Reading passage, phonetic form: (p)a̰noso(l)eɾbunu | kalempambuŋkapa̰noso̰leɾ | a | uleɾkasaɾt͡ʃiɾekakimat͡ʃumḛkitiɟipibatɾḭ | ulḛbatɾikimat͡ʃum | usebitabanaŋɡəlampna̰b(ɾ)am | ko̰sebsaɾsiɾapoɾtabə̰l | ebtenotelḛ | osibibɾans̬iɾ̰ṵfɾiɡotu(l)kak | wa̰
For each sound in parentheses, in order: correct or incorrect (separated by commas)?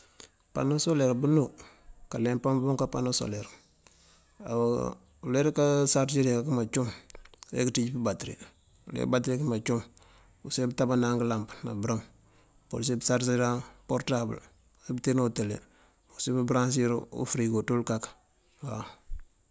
correct, correct, correct, correct